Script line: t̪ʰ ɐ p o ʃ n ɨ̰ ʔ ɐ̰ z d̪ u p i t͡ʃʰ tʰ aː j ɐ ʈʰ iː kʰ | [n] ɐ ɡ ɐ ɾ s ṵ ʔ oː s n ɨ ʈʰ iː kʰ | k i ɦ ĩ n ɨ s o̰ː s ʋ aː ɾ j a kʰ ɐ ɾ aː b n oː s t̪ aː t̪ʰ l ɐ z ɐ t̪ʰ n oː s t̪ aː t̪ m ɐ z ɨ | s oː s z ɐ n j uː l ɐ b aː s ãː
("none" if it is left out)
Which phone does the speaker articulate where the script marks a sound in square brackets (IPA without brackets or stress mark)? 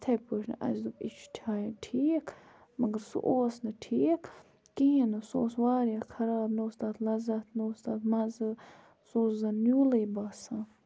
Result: m